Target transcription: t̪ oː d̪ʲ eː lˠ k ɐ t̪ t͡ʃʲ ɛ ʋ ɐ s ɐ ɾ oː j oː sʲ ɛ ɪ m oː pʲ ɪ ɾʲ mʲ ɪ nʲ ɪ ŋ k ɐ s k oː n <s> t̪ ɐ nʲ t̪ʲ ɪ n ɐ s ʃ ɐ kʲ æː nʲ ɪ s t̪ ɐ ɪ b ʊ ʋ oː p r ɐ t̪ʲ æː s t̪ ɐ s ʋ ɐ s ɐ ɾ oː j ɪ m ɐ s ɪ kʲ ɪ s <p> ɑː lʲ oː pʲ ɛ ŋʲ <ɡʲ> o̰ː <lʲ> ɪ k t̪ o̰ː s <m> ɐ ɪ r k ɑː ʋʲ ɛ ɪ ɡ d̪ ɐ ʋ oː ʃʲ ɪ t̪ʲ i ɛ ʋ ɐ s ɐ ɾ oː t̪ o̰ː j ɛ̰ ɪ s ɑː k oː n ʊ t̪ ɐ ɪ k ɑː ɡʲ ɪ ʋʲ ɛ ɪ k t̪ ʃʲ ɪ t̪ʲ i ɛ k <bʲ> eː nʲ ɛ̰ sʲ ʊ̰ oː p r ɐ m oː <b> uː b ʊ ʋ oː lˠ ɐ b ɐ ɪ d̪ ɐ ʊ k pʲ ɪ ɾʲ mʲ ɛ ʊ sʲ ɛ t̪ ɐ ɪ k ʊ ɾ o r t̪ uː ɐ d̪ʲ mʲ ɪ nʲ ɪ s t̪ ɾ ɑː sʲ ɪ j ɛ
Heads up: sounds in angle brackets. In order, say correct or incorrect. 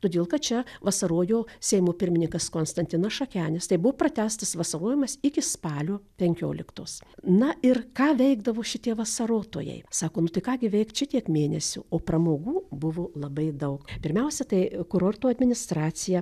correct, correct, incorrect: kʲ, correct, incorrect: n, incorrect: mʲ, incorrect: ɡ

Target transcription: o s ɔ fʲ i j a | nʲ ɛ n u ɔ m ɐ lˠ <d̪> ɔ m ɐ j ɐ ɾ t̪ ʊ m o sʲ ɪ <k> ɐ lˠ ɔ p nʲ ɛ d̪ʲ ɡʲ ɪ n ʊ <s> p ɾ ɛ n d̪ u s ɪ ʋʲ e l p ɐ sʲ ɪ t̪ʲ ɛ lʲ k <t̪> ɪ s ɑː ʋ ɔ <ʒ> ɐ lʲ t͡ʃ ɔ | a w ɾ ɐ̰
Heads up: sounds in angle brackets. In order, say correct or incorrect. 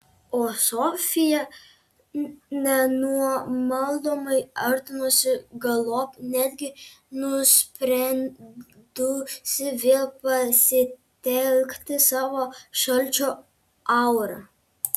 correct, incorrect: ɡ, correct, correct, incorrect: ʃ

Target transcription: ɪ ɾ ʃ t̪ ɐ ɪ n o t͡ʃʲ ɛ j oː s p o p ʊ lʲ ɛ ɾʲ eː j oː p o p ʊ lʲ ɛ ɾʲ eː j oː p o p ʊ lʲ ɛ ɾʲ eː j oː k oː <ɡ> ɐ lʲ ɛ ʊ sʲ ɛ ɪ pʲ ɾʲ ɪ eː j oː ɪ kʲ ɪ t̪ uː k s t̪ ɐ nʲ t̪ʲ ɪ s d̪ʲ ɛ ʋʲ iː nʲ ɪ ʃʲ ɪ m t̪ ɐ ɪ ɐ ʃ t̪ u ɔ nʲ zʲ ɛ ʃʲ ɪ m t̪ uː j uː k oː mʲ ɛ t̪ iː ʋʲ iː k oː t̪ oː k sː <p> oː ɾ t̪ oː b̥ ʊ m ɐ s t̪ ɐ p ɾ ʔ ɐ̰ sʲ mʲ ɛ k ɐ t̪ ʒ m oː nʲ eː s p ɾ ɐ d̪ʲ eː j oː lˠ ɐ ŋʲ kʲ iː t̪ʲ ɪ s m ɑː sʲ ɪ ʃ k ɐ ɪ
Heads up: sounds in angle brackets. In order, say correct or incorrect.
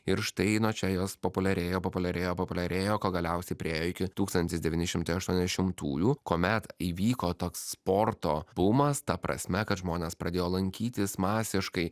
correct, correct

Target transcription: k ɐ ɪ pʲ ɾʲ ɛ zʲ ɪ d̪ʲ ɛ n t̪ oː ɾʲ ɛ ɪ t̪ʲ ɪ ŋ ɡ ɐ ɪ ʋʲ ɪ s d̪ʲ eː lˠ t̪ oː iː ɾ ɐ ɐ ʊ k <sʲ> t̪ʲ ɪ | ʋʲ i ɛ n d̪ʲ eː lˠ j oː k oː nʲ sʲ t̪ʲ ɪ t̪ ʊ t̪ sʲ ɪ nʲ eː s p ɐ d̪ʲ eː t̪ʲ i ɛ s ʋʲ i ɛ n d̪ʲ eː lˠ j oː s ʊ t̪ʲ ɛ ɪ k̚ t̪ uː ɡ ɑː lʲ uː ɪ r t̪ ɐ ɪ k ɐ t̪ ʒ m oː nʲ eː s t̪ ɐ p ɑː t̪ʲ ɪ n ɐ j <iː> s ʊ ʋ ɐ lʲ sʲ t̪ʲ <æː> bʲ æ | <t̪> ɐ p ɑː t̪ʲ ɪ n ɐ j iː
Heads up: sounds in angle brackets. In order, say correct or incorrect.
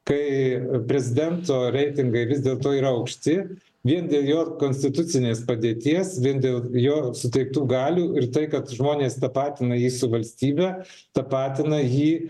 incorrect: ʃʲ, correct, incorrect: iː, correct

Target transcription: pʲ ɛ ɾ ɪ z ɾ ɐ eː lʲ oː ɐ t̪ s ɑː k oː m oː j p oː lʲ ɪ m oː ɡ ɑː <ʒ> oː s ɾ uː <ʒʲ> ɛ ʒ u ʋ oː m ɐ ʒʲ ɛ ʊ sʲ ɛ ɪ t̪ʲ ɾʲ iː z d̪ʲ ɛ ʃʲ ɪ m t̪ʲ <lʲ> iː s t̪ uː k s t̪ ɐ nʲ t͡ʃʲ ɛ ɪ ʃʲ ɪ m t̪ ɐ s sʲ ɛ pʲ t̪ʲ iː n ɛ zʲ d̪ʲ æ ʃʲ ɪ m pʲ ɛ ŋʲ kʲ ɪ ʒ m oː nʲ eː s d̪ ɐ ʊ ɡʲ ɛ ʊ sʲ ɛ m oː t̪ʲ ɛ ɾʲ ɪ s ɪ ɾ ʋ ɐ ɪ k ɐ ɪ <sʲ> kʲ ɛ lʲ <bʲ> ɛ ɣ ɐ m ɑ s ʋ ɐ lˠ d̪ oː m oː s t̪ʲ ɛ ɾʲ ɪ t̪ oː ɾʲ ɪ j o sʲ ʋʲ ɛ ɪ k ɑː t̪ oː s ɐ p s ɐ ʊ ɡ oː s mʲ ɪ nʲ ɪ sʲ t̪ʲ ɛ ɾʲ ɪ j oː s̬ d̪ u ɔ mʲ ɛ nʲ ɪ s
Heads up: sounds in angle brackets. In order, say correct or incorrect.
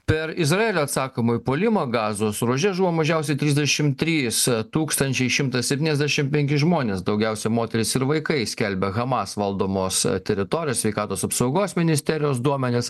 incorrect: z, correct, incorrect: ɾʲ, correct, correct

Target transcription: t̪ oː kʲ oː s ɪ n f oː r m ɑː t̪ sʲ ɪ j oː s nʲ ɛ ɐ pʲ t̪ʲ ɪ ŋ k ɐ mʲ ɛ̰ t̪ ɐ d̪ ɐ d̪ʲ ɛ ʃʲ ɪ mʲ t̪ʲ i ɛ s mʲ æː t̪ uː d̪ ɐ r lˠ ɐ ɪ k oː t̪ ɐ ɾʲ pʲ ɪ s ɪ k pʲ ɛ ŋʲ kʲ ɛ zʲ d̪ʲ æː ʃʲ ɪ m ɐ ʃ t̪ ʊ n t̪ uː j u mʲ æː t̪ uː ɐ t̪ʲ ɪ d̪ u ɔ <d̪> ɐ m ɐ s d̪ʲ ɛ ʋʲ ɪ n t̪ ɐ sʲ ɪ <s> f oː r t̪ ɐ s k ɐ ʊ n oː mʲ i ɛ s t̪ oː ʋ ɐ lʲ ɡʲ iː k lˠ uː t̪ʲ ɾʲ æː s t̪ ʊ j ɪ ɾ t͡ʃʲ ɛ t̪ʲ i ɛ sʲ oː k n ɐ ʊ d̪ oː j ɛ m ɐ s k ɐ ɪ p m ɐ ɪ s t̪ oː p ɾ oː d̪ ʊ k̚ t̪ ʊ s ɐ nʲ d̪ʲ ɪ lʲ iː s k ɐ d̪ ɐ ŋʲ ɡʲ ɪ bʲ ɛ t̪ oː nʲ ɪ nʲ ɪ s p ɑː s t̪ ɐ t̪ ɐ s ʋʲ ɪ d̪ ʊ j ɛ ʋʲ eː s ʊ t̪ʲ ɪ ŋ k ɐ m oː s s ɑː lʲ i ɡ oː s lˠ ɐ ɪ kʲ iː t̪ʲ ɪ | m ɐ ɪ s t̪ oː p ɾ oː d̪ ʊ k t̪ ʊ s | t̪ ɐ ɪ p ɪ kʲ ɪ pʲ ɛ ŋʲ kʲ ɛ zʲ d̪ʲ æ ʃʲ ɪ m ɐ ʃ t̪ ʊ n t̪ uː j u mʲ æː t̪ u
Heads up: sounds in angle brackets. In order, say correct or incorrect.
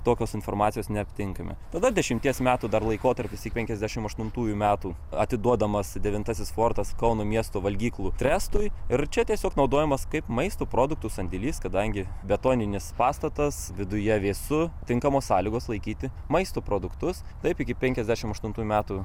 correct, correct

